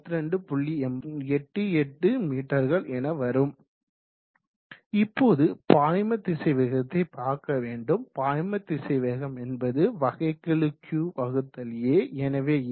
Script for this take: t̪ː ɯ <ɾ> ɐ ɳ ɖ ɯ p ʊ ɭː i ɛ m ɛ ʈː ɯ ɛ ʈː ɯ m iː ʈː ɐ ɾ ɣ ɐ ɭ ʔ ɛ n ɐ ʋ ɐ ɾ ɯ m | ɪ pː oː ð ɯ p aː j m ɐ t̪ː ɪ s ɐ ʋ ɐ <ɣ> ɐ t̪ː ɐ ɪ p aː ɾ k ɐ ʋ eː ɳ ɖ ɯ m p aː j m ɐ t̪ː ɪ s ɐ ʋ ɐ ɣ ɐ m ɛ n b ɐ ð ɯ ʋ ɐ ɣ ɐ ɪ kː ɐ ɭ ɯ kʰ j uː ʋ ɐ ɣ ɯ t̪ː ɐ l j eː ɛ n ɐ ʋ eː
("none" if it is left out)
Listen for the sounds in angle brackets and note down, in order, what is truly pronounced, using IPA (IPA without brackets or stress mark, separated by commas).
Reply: ɾ, ɣ